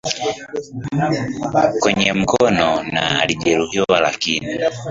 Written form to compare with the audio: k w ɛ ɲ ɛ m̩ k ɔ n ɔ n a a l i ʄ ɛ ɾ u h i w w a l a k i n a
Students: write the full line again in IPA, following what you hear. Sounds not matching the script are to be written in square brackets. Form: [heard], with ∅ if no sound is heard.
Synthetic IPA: k w ɛ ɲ ɛ m̩ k ɔ n ɔ n a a l i ʄ ɛ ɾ u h i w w a l a k i n [i]